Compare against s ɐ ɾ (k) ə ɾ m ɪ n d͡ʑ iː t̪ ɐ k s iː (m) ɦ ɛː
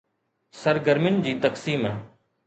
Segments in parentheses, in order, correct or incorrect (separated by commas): incorrect, correct